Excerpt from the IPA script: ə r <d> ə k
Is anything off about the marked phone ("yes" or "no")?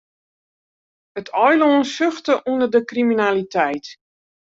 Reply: no